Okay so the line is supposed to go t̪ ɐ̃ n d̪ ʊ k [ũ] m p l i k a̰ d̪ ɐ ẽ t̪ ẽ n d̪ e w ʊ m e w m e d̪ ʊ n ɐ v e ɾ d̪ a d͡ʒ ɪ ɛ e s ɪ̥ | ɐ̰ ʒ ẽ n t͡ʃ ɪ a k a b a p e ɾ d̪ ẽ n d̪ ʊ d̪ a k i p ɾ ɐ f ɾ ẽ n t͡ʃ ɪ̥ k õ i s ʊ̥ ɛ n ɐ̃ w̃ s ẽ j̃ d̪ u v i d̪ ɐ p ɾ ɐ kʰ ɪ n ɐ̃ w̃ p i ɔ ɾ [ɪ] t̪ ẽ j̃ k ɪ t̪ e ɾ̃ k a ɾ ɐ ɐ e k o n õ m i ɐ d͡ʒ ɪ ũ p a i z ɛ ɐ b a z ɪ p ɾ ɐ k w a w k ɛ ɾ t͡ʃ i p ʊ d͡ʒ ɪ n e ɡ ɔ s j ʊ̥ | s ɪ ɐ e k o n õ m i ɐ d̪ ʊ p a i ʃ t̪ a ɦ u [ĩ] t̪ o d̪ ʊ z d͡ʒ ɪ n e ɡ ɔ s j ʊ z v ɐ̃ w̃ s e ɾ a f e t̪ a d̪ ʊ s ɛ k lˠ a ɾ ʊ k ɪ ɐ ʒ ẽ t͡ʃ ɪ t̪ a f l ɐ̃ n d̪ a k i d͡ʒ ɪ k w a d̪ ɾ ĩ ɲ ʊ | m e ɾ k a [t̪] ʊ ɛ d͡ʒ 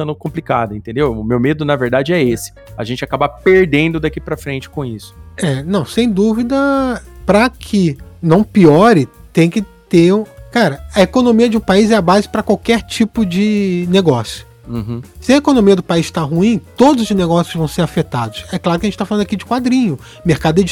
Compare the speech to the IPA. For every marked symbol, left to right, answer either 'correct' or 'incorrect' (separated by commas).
incorrect, correct, correct, incorrect